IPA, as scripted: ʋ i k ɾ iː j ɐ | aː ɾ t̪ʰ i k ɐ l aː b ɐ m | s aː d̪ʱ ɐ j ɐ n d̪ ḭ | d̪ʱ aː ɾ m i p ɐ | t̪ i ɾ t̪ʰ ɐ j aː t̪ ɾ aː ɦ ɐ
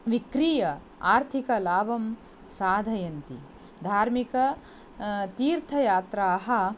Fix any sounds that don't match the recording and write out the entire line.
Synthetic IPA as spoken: ʋ i k ɾ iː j ɐ | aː ɾ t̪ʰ i k ɐ l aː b ɐ m | s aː d̪ʱ ɐ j ɐ n t̪ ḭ | d̪ʱ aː ɾ m i k ɐ | t̪ iː ɾ t̪ʰ ɐ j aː t̪ ɾ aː ɦ ɐ